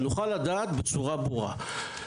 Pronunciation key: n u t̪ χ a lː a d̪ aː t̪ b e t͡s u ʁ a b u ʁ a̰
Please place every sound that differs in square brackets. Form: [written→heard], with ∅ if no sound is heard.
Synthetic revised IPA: n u [t̪→∅] χ a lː a d̪ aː t̪ b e t͡s u ʁ a b u ʁ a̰